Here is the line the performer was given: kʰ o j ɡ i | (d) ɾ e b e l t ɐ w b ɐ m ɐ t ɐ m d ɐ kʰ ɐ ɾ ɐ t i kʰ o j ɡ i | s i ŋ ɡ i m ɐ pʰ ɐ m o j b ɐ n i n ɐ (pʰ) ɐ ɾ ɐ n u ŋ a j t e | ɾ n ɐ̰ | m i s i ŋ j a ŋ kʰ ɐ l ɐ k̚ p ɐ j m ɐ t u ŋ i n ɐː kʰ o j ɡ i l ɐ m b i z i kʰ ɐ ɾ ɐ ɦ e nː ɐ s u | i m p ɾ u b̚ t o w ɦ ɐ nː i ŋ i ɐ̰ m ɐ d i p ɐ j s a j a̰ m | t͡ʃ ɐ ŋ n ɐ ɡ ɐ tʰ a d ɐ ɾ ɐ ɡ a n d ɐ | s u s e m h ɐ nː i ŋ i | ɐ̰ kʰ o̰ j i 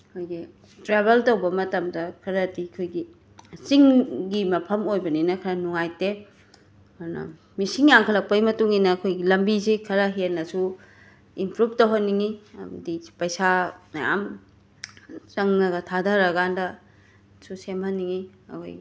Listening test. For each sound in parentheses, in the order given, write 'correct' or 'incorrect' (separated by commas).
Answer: incorrect, incorrect